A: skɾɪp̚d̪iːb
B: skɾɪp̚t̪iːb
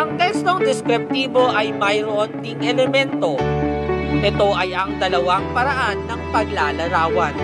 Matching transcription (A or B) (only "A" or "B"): B